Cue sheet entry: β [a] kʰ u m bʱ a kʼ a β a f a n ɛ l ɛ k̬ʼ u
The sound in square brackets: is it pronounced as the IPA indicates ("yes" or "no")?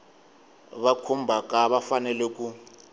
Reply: yes